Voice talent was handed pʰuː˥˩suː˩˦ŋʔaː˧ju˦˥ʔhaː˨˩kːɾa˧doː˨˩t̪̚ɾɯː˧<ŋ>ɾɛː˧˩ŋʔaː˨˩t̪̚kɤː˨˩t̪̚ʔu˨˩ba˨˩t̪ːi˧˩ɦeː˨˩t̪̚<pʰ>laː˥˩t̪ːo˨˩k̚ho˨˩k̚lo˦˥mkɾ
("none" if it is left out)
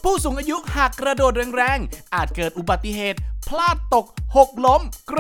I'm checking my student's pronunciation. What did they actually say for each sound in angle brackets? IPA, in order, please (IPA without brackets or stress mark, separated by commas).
ŋ, pʰ